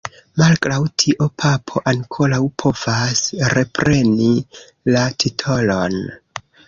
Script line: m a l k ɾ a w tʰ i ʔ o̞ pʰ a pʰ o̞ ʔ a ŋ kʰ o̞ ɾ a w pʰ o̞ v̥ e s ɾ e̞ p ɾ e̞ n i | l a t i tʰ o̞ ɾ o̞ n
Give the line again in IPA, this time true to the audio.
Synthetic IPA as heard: m a l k ɾ a w tʰ i ʔ o̞ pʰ a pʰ o̞ ʔ a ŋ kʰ o̞ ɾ a w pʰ o̞ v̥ a s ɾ e̞ p ɾ e̞ n i | l a t i tʰ o̞ l o̞ n